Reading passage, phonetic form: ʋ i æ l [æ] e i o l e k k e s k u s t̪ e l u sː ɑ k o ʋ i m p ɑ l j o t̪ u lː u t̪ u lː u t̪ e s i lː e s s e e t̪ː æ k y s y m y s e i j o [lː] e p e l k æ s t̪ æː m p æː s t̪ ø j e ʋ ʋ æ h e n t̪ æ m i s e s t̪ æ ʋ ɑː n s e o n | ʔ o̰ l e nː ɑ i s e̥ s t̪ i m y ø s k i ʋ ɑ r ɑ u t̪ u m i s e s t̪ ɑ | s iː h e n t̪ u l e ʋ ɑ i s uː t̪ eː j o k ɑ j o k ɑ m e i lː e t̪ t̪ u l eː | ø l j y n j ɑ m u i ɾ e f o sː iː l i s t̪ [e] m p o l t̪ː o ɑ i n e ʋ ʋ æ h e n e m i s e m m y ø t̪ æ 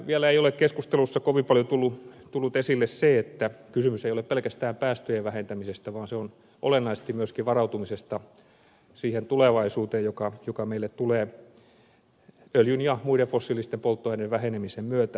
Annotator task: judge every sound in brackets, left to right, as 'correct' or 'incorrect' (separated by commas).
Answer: correct, incorrect, correct